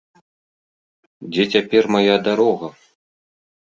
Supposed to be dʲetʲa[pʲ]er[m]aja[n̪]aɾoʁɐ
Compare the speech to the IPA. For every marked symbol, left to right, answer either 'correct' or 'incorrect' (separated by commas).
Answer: correct, correct, incorrect